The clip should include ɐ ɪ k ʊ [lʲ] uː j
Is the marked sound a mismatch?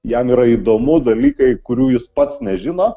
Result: yes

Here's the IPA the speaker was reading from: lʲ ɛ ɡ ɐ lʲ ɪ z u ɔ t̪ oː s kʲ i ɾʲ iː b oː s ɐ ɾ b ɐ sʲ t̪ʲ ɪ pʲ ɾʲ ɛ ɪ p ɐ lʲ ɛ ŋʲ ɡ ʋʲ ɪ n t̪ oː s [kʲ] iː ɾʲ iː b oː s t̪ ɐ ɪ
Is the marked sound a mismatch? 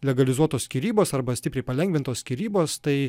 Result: no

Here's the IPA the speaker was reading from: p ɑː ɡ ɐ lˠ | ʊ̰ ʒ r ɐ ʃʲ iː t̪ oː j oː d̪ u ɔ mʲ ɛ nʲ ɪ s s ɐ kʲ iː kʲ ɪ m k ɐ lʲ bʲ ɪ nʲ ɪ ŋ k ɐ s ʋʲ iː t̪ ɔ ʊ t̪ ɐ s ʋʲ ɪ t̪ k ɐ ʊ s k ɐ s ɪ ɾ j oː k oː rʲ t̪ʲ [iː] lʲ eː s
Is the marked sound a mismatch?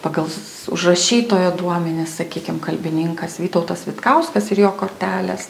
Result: yes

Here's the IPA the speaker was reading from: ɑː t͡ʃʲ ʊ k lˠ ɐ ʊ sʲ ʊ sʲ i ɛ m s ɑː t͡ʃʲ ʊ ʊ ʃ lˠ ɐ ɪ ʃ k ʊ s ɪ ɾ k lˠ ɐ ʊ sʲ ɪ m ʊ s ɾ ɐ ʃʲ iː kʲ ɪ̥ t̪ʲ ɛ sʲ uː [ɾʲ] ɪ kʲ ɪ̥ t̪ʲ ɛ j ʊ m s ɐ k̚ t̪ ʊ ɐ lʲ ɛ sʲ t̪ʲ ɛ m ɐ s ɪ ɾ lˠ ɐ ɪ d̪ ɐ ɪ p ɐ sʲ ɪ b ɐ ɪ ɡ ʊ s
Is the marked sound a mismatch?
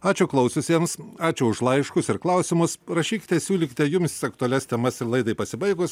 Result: yes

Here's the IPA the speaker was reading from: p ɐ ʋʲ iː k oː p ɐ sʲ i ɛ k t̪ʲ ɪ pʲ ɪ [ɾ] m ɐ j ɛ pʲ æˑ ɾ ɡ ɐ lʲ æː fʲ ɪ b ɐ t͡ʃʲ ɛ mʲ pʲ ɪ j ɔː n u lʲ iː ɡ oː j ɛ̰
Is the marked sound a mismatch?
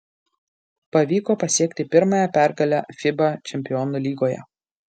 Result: no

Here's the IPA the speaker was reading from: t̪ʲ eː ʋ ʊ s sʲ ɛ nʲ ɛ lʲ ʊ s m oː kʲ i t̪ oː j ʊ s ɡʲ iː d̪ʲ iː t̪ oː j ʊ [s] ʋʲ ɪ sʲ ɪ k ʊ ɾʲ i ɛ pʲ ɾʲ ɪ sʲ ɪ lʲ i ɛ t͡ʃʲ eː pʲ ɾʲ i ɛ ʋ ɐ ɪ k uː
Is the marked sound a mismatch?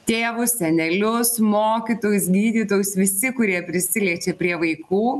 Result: no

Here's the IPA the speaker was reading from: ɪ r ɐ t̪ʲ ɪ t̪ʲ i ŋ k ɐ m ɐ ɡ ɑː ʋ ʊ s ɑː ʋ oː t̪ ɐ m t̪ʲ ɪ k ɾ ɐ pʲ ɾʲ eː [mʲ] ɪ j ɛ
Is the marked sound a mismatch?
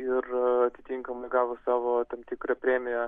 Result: no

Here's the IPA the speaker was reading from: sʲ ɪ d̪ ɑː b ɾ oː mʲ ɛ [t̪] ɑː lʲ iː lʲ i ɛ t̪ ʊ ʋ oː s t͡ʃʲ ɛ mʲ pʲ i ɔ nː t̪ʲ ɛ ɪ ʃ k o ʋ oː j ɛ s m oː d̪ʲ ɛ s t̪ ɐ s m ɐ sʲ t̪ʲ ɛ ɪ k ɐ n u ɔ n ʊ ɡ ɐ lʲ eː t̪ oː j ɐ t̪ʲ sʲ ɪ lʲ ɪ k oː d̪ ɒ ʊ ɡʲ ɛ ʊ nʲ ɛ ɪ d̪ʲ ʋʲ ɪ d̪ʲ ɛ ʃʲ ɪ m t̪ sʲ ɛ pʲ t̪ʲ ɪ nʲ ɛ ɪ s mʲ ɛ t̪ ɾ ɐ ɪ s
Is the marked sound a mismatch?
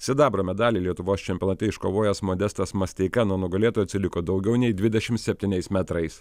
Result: yes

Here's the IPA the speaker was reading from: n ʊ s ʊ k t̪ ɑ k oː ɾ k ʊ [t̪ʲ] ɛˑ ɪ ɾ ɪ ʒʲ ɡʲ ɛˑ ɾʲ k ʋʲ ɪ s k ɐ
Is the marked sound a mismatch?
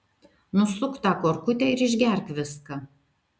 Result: no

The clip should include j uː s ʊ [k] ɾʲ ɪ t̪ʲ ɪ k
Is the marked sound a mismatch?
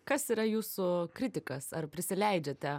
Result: no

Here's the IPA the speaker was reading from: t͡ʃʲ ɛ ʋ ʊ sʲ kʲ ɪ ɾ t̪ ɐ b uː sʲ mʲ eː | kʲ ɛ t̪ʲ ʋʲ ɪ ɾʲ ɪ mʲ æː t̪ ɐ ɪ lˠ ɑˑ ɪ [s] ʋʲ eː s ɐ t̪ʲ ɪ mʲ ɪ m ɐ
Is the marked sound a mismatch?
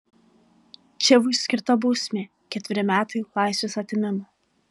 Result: no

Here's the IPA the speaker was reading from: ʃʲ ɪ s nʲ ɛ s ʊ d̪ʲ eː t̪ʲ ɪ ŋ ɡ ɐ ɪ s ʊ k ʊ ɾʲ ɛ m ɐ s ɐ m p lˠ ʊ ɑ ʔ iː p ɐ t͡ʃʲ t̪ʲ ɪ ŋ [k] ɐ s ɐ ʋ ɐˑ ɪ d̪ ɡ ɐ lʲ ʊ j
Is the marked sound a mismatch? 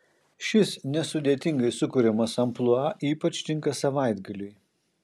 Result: no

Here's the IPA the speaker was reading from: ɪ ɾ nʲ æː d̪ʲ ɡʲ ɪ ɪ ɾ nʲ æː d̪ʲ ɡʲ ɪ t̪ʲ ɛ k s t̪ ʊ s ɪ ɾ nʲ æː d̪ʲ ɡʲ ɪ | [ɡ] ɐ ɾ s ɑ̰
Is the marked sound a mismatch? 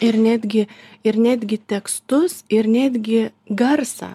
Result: no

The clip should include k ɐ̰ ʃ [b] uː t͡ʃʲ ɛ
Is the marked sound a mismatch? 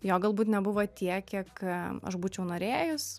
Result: no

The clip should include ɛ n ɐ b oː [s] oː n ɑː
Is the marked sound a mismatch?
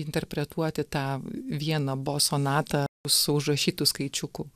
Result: no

